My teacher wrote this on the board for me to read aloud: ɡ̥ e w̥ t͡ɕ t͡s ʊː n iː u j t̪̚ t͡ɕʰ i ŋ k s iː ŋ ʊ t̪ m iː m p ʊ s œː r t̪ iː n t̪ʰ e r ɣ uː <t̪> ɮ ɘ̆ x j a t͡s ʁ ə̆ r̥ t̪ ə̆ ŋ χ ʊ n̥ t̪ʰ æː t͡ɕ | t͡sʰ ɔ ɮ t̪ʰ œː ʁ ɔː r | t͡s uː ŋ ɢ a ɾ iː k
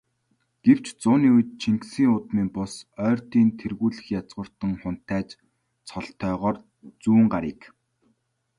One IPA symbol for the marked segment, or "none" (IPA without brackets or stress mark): none